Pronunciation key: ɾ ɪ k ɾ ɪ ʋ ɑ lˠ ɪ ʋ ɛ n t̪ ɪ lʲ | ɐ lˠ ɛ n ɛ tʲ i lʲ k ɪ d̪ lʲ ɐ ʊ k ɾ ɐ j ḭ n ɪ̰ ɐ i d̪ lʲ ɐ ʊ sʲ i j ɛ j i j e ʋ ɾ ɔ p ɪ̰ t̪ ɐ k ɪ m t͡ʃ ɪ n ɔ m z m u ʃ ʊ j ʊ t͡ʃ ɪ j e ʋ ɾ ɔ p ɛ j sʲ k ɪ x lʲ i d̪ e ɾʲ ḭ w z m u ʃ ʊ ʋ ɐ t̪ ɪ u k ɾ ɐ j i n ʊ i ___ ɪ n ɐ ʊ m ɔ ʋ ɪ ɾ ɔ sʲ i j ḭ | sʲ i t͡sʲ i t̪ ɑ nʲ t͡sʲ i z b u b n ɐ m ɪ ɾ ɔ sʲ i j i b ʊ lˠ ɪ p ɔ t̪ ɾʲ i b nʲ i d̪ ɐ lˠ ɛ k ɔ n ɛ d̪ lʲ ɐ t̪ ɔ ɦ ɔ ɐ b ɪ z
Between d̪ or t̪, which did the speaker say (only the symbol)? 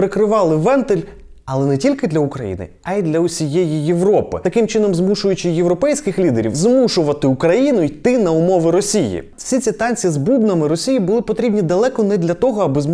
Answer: t̪